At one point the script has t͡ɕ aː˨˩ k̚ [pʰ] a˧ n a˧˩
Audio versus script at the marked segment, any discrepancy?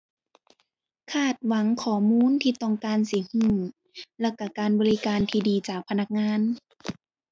no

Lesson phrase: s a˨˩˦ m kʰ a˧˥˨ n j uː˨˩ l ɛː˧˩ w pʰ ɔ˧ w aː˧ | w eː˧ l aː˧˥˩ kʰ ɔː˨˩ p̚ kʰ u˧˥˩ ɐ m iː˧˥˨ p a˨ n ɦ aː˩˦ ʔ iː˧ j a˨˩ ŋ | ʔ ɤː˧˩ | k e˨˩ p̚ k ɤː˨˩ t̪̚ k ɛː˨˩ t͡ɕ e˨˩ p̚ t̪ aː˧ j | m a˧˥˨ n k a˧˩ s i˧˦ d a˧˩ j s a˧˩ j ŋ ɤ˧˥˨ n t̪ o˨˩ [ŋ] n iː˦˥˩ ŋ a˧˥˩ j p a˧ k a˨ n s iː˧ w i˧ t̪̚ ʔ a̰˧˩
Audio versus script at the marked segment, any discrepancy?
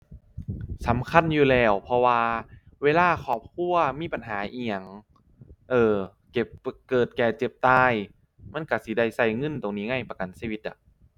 no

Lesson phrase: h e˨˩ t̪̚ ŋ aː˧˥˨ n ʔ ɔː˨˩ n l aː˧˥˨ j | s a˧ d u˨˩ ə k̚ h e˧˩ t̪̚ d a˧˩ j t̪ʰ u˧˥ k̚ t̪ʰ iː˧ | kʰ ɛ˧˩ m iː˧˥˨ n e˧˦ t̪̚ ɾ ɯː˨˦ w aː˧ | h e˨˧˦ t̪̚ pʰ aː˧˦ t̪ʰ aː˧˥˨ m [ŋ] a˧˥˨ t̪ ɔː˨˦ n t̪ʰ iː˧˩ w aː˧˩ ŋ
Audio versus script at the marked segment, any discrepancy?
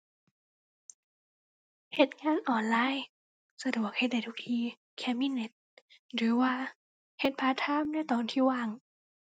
yes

